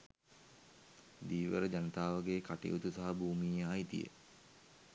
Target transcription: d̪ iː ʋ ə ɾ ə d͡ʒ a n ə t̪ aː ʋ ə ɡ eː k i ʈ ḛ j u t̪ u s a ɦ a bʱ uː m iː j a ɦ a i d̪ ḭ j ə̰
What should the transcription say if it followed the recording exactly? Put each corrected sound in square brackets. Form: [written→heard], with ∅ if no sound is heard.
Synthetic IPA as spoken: d̪ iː ʋ ə ɾ ə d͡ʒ a n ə t̪ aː ʋ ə ɡ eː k [i→a] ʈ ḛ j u t̪ u s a ɦ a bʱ uː m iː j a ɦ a i [d̪→t̪] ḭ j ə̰